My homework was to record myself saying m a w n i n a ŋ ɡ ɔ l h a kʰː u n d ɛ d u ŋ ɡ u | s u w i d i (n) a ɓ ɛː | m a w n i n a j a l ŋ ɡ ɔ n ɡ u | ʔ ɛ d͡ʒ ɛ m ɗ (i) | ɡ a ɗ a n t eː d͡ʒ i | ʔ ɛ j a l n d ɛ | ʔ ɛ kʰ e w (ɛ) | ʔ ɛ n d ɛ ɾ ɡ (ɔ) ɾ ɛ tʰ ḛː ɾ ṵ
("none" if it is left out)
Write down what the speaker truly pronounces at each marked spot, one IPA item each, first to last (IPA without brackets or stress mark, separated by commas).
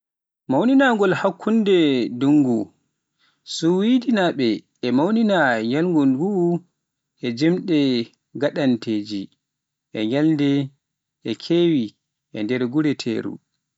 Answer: n, ɛ, i, u